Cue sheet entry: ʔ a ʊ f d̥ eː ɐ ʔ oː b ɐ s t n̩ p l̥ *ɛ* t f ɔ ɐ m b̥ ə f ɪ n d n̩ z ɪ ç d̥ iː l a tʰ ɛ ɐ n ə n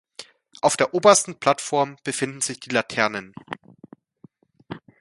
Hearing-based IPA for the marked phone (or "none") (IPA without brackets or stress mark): a